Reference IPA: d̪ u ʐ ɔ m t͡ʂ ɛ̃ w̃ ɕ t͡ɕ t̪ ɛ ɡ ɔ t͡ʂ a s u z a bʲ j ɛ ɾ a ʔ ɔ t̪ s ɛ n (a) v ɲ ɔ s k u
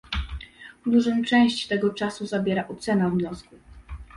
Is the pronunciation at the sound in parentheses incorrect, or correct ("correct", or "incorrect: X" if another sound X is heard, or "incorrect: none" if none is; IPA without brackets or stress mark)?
correct